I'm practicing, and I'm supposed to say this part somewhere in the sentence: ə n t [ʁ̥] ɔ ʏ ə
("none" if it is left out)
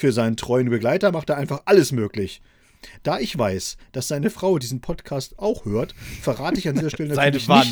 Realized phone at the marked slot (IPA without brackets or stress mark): ʁ̥